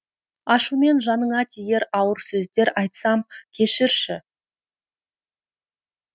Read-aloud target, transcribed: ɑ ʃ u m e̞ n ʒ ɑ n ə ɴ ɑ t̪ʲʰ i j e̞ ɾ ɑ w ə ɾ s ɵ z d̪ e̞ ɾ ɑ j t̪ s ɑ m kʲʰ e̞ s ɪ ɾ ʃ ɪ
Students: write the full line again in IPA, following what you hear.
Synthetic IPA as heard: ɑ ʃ u m e̞ n ʒ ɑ n ə ɴ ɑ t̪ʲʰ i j e̞ ɾ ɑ w ə ɾ s ɵ z d̪ e̞ ɾ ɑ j t̪ s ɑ m kʲʰ e̞ ʃ ɪ ɾ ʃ ɪ